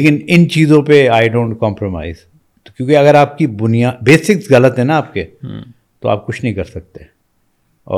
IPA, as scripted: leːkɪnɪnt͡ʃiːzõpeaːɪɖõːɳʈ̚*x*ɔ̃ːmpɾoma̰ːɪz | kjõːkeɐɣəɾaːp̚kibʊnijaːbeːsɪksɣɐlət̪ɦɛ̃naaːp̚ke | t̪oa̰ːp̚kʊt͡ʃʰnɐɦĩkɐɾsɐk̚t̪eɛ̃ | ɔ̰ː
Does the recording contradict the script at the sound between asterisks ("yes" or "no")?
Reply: yes